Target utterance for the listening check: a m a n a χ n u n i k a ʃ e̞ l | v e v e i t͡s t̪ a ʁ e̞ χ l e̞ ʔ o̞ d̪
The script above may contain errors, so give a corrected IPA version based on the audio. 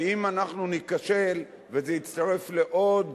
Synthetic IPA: i m a n a χ n u n i k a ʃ e̞ l | v e z e i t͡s t̪ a ʁ e̞ f l e̞ ʔ o̞ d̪